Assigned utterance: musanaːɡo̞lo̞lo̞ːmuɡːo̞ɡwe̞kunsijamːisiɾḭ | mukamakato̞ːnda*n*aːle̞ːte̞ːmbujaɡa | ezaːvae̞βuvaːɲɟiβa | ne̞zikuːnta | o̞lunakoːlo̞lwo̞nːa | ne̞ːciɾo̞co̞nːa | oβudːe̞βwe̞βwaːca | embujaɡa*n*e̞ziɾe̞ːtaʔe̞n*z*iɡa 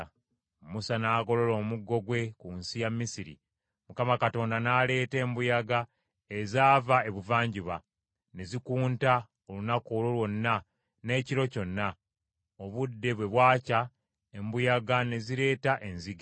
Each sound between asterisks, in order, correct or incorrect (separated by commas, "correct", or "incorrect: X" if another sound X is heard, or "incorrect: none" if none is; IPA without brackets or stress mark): correct, correct, correct